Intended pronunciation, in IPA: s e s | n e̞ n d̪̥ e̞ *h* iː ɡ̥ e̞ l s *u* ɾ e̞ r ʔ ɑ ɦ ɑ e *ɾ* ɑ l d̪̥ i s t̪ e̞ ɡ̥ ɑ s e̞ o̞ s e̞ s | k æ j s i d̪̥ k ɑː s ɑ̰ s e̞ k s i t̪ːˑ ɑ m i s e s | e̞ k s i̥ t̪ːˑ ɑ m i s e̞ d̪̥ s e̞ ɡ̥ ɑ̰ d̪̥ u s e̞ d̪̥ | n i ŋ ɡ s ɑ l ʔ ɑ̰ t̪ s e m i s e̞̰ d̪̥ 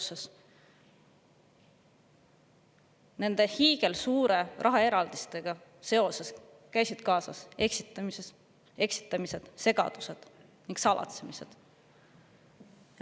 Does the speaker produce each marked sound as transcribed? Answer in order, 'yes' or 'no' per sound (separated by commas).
yes, no, yes